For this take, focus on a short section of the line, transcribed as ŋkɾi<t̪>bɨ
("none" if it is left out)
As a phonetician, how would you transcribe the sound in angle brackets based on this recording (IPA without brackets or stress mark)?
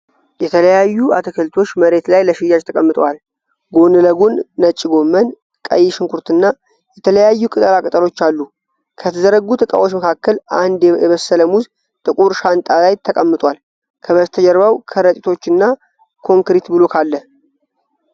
t̪